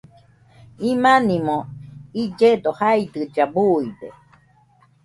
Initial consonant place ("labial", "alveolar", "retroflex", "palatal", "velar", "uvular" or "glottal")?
labial